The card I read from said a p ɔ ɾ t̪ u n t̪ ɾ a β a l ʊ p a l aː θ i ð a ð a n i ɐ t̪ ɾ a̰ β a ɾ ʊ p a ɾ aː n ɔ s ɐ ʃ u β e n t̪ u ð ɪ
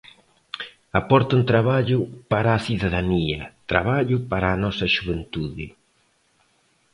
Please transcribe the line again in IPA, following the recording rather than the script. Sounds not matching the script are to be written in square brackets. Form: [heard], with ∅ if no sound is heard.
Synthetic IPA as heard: a p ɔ ɾ t̪ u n t̪ ɾ a β a [ʎ] ʊ p a [ɾ] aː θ i ð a ð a n i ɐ t̪ ɾ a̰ β a [ʎ] ʊ p a ɾ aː n ɔ s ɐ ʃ u β e n t̪ u ð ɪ